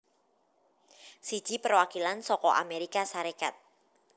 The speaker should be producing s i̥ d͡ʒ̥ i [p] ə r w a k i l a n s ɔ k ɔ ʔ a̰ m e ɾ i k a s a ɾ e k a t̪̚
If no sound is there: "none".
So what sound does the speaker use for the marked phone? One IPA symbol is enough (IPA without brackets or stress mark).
p